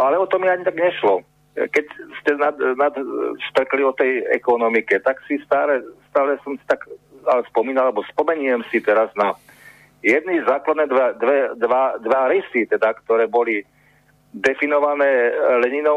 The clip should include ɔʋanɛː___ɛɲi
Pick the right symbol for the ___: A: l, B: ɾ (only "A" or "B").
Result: A